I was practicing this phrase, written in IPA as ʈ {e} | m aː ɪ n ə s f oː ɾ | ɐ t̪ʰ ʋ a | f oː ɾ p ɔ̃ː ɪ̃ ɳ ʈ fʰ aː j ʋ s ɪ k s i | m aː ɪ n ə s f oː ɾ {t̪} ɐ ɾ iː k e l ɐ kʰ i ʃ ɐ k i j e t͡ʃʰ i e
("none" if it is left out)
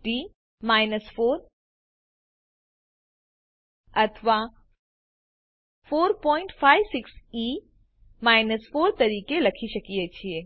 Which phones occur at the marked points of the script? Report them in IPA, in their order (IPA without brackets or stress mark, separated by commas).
i, t̪